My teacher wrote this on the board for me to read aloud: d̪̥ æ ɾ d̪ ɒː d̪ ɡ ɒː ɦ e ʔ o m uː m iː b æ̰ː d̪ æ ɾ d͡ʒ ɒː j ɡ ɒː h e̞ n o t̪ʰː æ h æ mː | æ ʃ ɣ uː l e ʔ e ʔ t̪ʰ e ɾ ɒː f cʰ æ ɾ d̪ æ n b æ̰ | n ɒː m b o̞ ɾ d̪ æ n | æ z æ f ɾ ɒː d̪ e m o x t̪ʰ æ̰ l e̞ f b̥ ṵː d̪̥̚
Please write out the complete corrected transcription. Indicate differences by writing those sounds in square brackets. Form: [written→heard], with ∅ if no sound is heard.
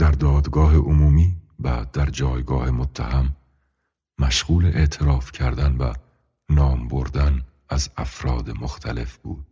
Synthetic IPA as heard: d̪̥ æ ɾ d̪ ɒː d̪ ɡ ɒː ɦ e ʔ o m uː m iː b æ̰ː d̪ æ ɾ d͡ʒ ɒː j ɡ ɒː h e̞ [n→m] o t̪ʰː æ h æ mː | æ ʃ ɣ uː l e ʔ e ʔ t̪ʰ e ɾ ɒː f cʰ æ ɾ d̪ æ n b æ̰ | n ɒː m b o̞ ɾ d̪ æ n | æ z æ f ɾ ɒː d̪ e m o x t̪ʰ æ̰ l e̞ f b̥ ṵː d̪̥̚